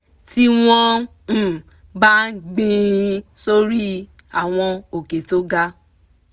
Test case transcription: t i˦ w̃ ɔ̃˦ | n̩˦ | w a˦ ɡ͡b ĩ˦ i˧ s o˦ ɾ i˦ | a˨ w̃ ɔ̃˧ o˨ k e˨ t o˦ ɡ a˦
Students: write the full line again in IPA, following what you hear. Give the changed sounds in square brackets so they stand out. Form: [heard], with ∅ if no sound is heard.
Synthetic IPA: t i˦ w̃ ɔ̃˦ | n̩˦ | [b] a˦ ɡ͡b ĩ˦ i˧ s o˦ ɾ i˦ | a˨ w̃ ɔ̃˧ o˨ k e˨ t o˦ ɡ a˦